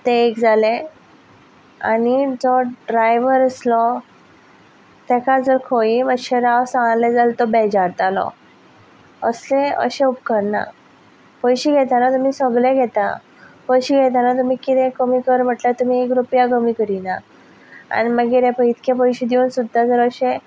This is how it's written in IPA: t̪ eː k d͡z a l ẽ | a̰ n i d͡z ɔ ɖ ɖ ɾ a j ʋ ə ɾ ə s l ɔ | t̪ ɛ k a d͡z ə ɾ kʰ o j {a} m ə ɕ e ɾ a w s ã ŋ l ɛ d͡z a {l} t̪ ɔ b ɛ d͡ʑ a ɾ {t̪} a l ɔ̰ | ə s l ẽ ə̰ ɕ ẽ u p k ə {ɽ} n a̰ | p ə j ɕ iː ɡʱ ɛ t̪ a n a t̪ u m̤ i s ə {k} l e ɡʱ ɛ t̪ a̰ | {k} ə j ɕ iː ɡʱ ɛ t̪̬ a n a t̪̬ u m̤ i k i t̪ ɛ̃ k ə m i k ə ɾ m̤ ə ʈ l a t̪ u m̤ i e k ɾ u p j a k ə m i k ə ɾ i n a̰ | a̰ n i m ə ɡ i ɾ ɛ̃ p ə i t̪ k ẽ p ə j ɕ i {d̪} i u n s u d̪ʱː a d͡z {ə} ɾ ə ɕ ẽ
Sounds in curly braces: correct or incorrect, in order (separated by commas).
incorrect, correct, correct, incorrect, incorrect, incorrect, correct, correct